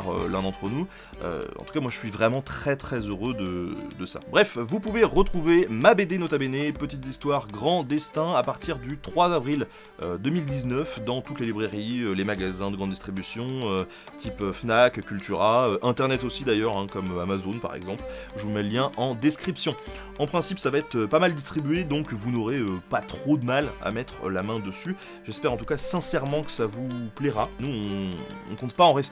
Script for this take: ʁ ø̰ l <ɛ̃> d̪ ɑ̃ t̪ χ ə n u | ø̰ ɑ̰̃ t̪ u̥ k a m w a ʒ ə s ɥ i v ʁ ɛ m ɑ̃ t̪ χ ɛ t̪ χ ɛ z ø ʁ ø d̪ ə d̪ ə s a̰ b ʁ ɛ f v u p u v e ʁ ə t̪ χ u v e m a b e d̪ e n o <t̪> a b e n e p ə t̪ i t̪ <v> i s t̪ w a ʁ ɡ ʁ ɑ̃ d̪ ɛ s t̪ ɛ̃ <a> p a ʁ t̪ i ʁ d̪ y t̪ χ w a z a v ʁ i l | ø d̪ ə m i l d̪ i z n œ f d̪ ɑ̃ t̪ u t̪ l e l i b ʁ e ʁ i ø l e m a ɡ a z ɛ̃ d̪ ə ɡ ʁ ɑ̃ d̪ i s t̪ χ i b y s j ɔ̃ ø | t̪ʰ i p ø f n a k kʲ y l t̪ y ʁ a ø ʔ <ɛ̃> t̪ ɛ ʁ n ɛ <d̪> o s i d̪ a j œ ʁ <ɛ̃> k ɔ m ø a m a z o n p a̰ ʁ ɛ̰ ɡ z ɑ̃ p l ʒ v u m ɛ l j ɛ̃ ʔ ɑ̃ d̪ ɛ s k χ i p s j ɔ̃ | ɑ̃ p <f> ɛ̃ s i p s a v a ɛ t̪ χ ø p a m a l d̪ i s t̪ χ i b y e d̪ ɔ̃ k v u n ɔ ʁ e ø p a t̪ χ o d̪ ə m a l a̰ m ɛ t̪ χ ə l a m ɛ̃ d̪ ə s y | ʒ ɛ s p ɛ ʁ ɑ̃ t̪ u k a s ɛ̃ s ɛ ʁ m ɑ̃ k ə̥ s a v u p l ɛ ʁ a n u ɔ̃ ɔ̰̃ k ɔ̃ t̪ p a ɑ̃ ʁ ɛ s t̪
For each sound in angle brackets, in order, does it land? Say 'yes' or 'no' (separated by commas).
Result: yes, yes, no, yes, yes, no, yes, no